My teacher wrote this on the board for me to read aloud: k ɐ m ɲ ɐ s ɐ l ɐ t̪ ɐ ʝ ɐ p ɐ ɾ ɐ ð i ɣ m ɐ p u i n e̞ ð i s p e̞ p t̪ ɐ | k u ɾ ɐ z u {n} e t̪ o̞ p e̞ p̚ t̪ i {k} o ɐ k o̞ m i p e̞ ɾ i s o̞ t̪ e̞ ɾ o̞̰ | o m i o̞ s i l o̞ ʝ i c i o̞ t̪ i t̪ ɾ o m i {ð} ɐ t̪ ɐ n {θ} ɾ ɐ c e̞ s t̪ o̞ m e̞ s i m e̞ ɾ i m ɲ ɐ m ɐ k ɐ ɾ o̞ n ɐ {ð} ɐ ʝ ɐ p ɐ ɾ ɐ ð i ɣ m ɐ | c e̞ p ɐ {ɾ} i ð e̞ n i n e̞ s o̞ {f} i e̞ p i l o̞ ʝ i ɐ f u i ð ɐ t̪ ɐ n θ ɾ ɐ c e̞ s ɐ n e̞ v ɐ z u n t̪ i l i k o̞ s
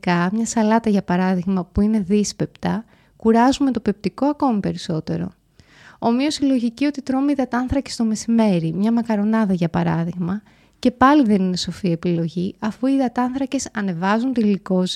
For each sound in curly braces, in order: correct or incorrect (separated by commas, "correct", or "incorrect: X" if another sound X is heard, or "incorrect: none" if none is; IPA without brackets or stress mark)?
incorrect: m, correct, correct, correct, correct, incorrect: l, correct